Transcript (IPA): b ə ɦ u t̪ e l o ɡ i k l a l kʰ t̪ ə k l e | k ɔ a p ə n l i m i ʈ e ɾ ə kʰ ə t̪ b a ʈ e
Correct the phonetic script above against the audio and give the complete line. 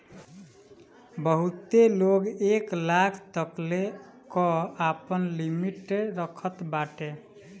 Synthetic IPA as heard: b ə ɦ u t̪ e l o ɡ e k l a kʰ t̪ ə k l e | k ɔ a p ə n l i m i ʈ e ɾ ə kʰ ə t̪ b a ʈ e